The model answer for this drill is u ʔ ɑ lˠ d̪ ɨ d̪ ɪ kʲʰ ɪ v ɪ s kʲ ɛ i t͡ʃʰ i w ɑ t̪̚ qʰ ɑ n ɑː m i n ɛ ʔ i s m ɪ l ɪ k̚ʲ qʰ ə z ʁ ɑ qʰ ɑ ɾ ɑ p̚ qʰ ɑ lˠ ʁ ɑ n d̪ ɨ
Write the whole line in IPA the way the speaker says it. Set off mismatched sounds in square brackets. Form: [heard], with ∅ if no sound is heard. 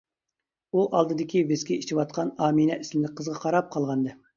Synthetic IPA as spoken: u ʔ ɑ lˠ d̪ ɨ d̪ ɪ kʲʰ [i] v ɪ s kʲ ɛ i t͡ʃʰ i w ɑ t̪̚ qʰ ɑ n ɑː m i n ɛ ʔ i s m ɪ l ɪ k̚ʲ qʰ ə z ʁ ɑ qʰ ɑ ɾ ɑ p̚ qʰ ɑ lˠ ʁ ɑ n d̪ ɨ

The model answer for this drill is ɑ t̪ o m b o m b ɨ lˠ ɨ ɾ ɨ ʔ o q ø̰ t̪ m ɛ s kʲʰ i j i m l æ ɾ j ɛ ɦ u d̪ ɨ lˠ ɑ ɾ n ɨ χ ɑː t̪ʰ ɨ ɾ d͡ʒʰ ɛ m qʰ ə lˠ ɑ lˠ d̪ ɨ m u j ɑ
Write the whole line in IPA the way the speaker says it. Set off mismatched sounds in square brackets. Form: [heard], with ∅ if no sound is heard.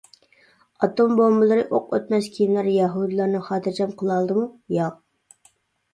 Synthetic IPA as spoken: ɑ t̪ o m b o m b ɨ lˠ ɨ ɾ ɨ ʔ o q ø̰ t̪ m ɛ s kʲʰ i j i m l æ ɾ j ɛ ɦ u d̪ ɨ lˠ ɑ ɾ n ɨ χ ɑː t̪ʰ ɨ ɾ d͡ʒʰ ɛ m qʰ ə lˠ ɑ lˠ d̪ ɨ m u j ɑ

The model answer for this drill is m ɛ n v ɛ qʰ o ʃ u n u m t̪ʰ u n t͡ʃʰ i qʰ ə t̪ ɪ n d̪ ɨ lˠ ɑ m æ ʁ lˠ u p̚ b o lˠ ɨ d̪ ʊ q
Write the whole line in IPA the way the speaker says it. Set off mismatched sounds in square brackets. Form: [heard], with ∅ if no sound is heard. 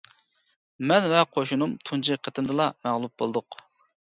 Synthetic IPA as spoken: m ɛ n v ɛ qʰ o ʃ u n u m t̪ʰ u n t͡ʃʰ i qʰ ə t̪ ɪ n d̪ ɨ lˠ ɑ m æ ʁ lˠ u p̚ b o lˠ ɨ d̪ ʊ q

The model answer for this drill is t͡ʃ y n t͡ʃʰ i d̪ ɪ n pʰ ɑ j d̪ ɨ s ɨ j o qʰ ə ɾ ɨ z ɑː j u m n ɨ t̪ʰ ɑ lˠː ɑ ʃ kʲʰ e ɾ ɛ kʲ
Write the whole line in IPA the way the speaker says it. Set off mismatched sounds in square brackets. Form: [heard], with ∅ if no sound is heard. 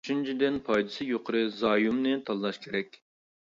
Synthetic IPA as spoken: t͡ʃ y n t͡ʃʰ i d̪ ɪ n pʰ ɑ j d̪ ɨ s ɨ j o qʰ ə ɾ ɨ z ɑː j u m n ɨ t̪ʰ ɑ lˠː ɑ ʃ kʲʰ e ɾ ɛ kʲ

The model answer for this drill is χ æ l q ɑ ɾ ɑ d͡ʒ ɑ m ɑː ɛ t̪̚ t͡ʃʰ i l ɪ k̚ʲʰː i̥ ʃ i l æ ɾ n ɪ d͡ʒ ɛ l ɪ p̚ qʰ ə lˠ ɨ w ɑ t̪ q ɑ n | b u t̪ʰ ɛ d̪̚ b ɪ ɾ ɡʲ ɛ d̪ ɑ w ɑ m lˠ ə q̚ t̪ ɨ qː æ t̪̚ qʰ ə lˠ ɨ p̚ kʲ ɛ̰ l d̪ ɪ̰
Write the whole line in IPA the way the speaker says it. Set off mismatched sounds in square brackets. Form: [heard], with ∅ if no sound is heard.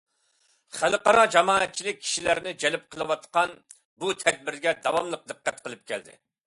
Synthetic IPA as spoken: χ æ l q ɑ ɾ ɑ d͡ʒ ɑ m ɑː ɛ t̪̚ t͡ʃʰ i l ɪ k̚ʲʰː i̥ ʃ i l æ ɾ n ɪ d͡ʒ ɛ l ɪ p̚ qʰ ə lˠ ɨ w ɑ t̪ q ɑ n | b u t̪ʰ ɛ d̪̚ b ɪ ɾ ɡʲ ɛ d̪ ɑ w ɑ m lˠ ə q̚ [d̪] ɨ qː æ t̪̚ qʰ ə lˠ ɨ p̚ kʲ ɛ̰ l d̪ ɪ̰

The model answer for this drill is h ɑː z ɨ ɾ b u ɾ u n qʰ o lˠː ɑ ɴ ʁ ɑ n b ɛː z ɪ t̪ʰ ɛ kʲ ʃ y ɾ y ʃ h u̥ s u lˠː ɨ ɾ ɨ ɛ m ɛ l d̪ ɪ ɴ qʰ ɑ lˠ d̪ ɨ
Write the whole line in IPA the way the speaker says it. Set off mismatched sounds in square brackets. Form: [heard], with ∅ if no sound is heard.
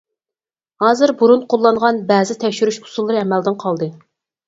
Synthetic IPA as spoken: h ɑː z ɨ ɾ b u ɾ u n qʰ o lˠː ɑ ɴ ʁ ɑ n b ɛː z ɪ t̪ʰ ɛ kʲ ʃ y ɾ y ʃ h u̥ s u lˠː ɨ ɾ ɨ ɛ m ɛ l d̪ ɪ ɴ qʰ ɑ lˠ d̪ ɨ

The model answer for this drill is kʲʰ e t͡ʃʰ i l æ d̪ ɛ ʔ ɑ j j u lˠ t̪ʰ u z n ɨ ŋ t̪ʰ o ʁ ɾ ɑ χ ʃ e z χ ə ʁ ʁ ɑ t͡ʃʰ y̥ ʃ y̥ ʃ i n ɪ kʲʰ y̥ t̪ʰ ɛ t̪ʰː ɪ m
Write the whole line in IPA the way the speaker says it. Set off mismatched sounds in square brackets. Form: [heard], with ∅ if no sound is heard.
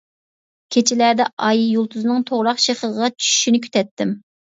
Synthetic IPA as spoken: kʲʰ e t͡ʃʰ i l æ d̪ ɛ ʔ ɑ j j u lˠ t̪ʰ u z n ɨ ŋ t̪ʰ o ʁ ɾ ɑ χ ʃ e [∅] χ ə ʁ ʁ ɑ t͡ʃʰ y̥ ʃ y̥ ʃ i n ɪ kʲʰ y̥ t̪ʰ ɛ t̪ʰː ɪ m

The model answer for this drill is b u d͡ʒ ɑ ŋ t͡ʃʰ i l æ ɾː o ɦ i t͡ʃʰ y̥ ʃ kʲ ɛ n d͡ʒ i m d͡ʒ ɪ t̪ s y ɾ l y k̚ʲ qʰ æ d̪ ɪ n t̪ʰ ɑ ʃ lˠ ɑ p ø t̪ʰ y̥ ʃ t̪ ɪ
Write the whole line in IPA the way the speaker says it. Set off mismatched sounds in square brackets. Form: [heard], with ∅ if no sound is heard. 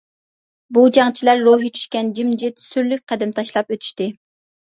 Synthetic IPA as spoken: b u d͡ʒ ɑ ŋ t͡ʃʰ i l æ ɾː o ɦ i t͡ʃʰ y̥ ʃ kʲ ɛ n d͡ʒ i m d͡ʒ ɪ t̪ s y ɾ l y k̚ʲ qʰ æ d̪ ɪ [m] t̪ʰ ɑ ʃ lˠ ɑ p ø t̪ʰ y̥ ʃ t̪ ɪ

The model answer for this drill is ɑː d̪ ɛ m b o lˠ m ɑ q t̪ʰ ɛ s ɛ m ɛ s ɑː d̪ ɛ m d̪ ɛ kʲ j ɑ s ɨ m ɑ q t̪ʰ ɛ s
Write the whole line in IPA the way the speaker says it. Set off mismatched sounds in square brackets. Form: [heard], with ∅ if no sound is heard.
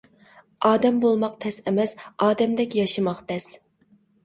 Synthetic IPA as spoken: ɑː d̪ ɛ m b o lˠ m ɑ q t̪ʰ ɛ s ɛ m ɛ s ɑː d̪ ɛ m d̪ ɛ kʲ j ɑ [ʃ] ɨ m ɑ q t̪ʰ ɛ s

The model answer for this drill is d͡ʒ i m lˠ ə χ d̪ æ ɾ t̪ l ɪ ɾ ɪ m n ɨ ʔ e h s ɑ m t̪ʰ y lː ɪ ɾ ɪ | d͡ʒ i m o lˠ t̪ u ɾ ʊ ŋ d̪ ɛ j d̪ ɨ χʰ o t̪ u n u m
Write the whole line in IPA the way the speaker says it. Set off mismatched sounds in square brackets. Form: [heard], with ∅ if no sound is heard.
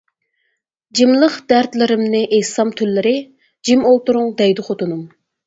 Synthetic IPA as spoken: d͡ʒ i m lˠ ə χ d̪ æ ɾ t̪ l ɪ ɾ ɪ m n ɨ ʔ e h s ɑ m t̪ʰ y lː ɪ ɾ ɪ | d͡ʒ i m o lˠ t̪ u ɾ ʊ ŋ d̪ ɛ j d̪ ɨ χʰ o t̪ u n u m

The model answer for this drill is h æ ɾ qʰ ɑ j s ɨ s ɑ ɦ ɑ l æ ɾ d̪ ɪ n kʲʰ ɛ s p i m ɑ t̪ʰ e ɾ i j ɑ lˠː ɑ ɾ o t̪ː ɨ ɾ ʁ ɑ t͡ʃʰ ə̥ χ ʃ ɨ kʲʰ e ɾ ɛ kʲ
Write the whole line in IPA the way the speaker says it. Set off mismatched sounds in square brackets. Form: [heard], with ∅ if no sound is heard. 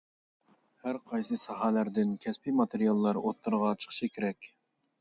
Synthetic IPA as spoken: h æ ɾ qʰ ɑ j s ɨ s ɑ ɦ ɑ l æ ɾ d̪ ɪ n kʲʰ ɛ s p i m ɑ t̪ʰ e ɾ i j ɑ lˠː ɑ ɾ o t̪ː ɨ ɾ ʁ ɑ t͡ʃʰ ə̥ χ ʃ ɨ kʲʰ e ɾ ɛ kʲ

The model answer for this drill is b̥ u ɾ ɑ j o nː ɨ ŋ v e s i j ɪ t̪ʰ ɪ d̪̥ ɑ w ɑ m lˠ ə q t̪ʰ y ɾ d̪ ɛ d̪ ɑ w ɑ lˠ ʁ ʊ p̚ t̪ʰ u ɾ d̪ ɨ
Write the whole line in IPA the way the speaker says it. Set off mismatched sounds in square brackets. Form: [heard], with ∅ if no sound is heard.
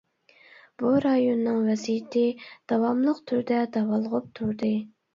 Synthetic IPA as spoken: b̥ u ɾ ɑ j o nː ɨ ŋ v [ɛ] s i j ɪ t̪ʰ ɪ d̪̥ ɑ w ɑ m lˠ ə q t̪ʰ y ɾ d̪ ɛ d̪ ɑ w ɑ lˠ ʁ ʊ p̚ t̪ʰ u ɾ d̪ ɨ

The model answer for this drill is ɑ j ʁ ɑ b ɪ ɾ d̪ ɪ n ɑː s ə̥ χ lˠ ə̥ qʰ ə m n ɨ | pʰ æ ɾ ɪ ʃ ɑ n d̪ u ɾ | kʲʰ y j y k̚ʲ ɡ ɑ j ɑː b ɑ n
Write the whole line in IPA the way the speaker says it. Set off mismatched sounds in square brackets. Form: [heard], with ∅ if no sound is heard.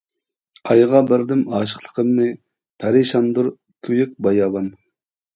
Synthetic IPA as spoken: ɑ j ʁ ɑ b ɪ ɾ d̪ ɪ [m] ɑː [ʃ] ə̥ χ lˠ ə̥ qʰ ə m n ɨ | pʰ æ ɾ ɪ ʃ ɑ n d̪ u ɾ | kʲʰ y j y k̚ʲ [b] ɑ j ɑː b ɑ n

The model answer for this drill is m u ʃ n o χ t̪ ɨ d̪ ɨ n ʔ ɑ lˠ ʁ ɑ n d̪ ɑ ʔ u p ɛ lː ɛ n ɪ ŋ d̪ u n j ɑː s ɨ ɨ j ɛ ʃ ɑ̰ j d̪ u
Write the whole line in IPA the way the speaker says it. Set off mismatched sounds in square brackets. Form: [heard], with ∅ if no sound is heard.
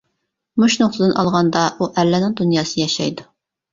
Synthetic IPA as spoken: m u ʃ n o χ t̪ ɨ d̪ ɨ n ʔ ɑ lˠ ʁ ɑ n d̪ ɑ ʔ u [ʔ] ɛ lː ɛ n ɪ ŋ d̪ u n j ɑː s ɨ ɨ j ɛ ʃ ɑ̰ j d̪ u

